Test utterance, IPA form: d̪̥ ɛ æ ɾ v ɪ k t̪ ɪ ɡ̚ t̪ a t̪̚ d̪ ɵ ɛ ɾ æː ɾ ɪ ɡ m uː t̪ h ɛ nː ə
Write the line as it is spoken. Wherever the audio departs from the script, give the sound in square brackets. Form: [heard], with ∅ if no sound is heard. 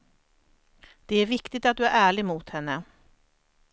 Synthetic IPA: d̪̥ ɛ æ ɾ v ɪ k t̪ ɪ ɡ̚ t̪ a t̪̚ d̪ ɵ [æ] ɾ æː [ɭ] ɪ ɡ m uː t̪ h ɛ nː ə